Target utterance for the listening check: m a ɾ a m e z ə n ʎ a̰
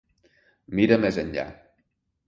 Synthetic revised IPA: m i ɾ ə m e z ə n ʎ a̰